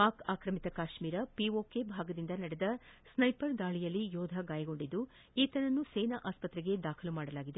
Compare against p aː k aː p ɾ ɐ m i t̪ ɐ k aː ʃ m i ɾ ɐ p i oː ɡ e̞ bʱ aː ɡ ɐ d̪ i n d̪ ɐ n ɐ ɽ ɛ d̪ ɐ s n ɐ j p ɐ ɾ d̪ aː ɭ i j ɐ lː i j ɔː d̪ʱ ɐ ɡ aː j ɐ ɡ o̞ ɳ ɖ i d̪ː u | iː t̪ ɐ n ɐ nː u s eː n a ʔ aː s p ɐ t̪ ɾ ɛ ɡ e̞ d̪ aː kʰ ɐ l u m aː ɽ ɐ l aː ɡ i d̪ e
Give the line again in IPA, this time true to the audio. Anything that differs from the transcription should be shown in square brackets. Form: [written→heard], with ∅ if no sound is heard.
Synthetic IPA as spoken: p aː k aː [p→k] ɾ ɐ m i t̪ ɐ k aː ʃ m [i→iː] ɾ ɐ p i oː [ɡ→k] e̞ bʱ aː ɡ ɐ d̪ i n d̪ ɐ n ɐ ɽ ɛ d̪ ɐ s n ɐ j p ɐ ɾ d̪ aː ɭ i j ɐ lː i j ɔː d̪ʱ ɐ ɡ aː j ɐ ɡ o̞ ɳ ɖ i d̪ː u | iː t̪ ɐ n ɐ nː u s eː n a ʔ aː s p ɐ t̪ ɾ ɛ ɡ e̞ d̪ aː kʰ ɐ l u m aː ɽ ɐ l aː ɡ i d̪ e

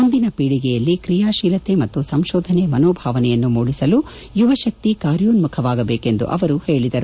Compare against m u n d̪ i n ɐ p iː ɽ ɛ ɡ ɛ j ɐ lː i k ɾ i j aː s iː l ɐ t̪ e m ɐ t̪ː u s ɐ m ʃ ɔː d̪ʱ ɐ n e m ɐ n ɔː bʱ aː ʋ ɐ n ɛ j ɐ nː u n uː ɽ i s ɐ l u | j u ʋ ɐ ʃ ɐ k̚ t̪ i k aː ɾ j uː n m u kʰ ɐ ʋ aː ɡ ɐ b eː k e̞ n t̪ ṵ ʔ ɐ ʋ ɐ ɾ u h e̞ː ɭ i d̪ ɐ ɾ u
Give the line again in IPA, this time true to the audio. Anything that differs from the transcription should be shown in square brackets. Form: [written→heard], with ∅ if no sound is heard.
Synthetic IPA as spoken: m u n d̪ i n ɐ p iː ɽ [ɛ→i] ɡ ɛ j ɐ lː i k ɾ i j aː [s→ʃ] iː l ɐ t̪ e m ɐ t̪ː u s ɐ m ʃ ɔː d̪ʱ ɐ n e m ɐ n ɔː bʱ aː ʋ ɐ n ɛ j ɐ nː u [n→m] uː ɽ i s ɐ l u | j u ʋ ɐ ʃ ɐ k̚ t̪ i k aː ɾ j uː n m u kʰ ɐ ʋ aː ɡ ɐ b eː k e̞ n [t̪→d̪] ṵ ʔ ɐ ʋ ɐ ɾ u h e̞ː ɭ i d̪ ɐ ɾ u

